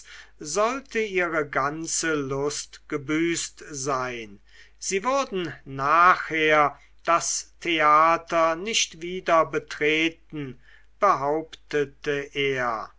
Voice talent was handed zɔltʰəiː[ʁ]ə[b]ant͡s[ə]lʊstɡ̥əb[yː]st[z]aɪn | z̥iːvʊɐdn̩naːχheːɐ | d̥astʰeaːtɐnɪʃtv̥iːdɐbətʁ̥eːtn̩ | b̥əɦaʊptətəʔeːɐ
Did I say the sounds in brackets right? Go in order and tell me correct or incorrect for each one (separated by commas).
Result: correct, incorrect, correct, correct, correct